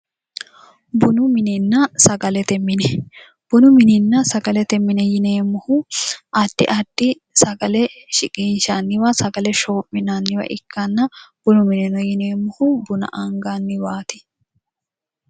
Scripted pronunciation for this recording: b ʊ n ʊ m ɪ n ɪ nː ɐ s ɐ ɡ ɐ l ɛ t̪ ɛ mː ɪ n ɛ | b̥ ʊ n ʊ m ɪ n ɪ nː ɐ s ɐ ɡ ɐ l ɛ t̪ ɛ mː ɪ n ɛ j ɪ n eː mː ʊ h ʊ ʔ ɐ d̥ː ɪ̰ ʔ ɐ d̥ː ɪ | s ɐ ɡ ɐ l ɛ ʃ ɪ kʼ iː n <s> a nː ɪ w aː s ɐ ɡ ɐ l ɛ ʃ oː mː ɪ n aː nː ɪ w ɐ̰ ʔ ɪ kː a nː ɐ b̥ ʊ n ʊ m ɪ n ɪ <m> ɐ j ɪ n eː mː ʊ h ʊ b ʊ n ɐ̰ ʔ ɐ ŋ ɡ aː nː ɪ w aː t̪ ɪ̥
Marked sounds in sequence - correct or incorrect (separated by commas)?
incorrect, incorrect